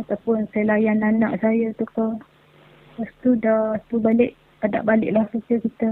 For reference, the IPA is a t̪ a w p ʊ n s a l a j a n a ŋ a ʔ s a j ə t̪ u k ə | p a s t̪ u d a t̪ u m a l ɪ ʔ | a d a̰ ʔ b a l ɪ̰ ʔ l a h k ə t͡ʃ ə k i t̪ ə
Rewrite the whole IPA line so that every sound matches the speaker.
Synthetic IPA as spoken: a t̪ a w p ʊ n s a l a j a n a n a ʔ s a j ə t̪ u k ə | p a s t̪ u d a t̪ u b a l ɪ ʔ | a d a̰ ʔ b a l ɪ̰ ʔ l a h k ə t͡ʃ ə k i t̪ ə